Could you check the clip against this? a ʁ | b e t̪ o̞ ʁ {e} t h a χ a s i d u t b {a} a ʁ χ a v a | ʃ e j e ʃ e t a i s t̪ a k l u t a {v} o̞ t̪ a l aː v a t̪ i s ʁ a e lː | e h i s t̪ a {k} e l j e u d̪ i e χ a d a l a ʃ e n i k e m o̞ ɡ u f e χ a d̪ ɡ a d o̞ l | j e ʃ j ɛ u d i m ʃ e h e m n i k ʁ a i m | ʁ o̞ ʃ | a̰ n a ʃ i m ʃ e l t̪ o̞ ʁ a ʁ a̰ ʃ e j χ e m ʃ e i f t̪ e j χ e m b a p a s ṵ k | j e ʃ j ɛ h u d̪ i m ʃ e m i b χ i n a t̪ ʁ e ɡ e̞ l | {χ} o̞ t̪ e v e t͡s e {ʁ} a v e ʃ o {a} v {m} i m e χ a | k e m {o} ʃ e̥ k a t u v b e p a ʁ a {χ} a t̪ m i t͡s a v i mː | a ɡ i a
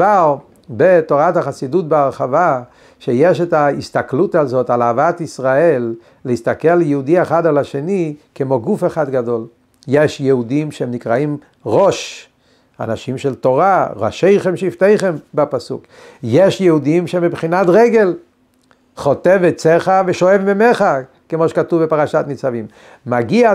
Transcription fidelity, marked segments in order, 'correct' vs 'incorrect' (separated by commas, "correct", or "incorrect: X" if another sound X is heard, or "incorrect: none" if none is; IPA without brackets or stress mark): incorrect: a, incorrect: e, incorrect: z, correct, correct, incorrect: χ, incorrect: e, correct, correct, incorrect: ʃ